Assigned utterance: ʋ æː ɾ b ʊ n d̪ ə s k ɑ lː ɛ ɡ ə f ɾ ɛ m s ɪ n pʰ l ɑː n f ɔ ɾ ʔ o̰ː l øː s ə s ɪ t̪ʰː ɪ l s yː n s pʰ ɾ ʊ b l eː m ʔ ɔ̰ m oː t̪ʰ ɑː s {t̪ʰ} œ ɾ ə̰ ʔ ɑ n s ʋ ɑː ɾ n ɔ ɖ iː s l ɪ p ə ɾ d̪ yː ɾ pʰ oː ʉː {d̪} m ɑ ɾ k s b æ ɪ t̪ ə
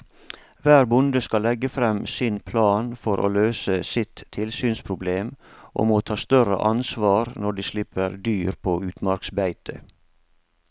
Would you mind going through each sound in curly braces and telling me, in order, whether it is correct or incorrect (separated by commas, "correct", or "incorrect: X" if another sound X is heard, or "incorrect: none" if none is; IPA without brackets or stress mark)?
incorrect: t̪, incorrect: t̪